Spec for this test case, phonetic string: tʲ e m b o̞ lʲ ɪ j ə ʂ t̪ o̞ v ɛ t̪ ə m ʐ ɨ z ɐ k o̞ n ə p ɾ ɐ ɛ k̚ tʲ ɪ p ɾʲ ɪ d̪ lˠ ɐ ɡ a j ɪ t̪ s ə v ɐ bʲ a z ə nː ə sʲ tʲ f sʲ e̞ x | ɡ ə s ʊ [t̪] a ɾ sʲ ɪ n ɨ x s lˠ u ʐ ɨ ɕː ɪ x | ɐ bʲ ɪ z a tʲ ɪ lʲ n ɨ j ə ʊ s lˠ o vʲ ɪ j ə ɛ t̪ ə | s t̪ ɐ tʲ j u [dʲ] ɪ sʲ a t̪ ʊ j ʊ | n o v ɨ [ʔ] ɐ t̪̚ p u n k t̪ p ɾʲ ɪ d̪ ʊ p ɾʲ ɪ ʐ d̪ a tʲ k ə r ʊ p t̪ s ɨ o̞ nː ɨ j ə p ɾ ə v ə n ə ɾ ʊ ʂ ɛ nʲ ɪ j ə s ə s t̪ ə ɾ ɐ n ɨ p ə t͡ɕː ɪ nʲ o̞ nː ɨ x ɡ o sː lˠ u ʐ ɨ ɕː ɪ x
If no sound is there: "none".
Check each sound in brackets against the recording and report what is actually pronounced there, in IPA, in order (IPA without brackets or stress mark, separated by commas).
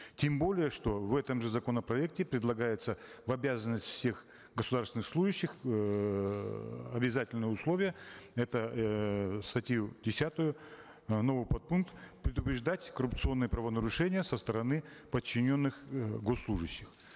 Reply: d̪, dʲ, p